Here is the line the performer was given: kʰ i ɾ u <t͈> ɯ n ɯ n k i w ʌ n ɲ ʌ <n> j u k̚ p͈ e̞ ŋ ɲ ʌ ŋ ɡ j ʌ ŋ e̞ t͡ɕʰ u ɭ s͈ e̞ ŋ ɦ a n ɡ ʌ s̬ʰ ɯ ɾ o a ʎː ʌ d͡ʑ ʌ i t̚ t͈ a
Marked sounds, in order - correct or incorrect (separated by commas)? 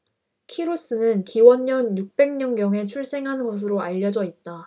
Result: incorrect, correct